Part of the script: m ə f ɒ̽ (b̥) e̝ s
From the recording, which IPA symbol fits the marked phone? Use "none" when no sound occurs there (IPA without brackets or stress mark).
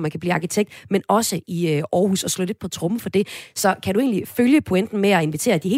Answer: d̥